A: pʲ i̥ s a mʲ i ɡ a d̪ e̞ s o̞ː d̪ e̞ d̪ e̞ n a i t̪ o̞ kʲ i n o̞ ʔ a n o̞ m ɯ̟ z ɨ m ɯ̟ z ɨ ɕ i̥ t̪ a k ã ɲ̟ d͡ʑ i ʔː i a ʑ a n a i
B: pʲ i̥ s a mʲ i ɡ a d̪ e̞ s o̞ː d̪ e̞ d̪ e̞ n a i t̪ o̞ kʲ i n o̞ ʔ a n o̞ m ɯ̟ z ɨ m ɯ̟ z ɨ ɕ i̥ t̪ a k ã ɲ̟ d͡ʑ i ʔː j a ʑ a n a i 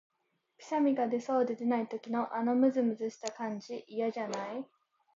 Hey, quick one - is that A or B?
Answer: B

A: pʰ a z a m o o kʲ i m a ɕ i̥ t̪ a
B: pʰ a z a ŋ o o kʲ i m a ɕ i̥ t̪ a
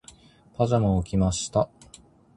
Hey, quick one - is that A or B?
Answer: A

